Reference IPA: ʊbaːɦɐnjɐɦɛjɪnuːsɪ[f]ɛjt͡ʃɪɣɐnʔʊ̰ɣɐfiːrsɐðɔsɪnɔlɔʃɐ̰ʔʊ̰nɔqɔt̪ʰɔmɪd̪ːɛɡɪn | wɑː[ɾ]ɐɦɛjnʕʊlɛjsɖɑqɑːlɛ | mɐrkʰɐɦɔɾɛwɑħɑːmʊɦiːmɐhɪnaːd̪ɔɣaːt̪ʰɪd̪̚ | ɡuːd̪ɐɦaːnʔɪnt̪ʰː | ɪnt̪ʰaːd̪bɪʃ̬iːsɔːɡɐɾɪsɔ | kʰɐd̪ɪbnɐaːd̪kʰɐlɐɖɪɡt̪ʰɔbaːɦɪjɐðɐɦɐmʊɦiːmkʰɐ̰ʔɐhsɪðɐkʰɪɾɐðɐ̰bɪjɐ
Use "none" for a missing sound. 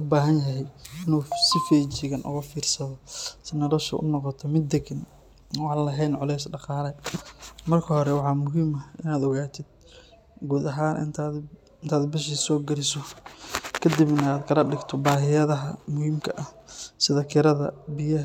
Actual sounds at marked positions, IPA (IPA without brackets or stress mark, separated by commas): f, l